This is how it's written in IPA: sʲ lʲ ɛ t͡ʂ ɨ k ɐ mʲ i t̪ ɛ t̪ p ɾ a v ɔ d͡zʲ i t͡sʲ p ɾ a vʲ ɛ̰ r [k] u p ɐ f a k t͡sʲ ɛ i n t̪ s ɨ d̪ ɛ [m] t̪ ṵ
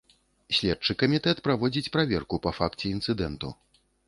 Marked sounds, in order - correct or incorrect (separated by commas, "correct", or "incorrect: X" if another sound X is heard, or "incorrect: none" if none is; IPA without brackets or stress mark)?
correct, incorrect: n